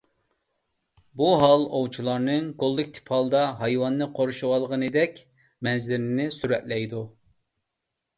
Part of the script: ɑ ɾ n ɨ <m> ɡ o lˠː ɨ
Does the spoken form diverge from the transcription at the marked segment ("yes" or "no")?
yes